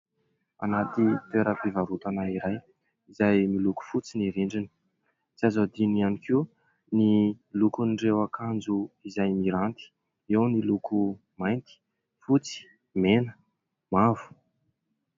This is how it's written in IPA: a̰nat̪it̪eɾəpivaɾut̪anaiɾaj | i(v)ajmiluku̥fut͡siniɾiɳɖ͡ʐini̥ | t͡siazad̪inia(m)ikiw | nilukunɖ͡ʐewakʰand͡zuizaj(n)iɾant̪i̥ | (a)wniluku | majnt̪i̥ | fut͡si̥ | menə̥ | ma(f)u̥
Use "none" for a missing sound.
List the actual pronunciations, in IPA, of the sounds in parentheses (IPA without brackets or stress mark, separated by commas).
z, n, m, e, v